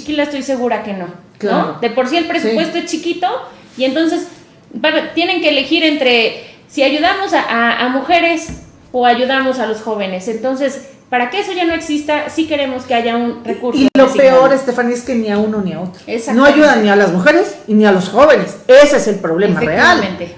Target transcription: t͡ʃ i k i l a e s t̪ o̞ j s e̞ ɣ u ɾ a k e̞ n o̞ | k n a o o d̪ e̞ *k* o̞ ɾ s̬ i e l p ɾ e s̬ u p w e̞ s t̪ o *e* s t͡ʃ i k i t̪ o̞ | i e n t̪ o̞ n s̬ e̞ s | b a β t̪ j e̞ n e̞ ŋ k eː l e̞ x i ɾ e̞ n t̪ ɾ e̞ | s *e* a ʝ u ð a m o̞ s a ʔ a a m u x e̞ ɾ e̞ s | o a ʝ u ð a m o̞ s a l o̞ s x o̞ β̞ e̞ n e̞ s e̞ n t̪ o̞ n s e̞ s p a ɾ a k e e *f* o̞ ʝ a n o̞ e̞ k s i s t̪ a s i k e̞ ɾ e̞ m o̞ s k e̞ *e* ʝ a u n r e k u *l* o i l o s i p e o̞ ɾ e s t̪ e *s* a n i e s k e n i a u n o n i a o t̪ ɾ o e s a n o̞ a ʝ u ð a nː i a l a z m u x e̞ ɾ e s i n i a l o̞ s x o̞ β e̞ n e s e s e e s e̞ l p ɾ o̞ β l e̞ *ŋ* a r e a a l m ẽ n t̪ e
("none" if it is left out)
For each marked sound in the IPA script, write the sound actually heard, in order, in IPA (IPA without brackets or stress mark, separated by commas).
p, e, i, s, a, ɾ, f, m